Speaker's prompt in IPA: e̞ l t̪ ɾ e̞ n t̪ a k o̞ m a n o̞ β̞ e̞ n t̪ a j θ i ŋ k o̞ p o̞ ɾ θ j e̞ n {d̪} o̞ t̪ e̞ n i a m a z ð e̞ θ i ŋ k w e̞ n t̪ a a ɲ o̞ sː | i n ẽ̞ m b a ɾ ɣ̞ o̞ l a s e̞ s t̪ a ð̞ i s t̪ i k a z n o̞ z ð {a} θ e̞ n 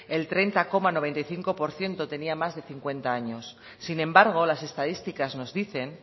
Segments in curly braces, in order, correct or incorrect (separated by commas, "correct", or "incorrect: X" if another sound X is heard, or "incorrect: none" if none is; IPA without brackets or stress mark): incorrect: t̪, incorrect: i